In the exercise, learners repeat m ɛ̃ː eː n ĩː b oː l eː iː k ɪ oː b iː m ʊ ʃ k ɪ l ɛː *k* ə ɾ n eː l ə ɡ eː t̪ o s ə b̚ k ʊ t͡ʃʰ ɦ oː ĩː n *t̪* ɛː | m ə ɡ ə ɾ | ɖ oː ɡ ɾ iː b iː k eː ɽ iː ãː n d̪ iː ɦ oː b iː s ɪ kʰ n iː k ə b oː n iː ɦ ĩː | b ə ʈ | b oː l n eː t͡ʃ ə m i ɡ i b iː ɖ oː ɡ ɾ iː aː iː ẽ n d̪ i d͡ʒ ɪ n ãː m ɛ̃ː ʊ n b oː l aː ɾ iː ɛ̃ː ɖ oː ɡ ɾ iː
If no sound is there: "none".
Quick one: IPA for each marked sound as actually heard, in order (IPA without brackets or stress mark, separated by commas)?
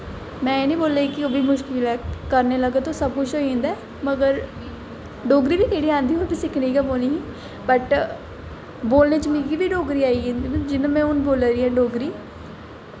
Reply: k, d̪